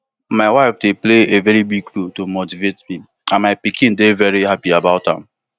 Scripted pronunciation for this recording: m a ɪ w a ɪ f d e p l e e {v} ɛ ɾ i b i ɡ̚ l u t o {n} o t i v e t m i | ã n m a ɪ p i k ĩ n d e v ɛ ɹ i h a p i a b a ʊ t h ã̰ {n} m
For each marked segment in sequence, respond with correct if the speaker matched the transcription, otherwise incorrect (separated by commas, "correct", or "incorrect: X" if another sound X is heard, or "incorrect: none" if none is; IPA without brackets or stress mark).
correct, incorrect: m, incorrect: none